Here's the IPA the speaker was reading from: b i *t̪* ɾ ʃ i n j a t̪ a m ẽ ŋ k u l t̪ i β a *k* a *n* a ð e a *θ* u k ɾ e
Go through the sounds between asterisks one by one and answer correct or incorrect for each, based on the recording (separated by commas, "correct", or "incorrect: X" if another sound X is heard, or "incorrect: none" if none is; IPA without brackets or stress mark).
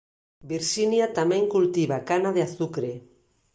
incorrect: none, correct, correct, correct